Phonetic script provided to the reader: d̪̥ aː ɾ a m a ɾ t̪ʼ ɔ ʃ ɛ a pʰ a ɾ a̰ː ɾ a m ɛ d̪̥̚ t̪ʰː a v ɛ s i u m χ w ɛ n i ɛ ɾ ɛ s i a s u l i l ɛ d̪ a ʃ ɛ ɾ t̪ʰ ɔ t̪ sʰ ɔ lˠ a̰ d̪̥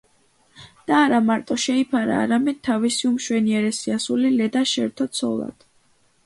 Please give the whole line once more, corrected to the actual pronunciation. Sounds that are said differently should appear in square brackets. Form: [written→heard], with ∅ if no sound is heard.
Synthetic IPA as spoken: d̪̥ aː ɾ a m a ɾ t̪ʼ ɔ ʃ ɛ [a→i] pʰ a ɾ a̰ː ɾ a m ɛ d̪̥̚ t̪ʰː a v [ɛ→i] s i u m [χ→ʃ] w ɛ n i ɛ ɾ ɛ s i a s u l i l ɛ d̪ a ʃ ɛ ɾ t̪ʰ ɔ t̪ sʰ ɔ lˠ a̰ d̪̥